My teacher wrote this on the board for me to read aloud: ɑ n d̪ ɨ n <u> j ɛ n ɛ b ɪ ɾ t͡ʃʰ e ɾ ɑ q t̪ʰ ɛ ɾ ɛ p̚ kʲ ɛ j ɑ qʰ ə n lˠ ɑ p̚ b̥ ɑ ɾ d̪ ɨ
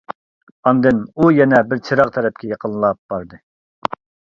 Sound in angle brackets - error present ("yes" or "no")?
no